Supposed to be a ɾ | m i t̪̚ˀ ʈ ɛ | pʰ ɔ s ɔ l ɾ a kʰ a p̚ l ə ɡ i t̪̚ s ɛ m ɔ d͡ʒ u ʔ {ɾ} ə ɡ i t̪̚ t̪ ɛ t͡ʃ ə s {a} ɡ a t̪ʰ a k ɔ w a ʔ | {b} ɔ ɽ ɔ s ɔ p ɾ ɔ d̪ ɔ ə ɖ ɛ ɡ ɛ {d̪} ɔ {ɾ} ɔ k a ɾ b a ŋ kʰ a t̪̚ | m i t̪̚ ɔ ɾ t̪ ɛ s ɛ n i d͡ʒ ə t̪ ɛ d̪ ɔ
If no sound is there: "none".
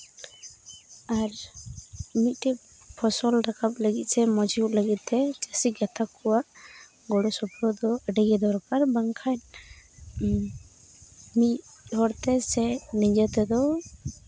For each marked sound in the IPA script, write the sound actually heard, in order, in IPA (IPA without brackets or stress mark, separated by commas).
l, i, ɡ, d̪, ɾ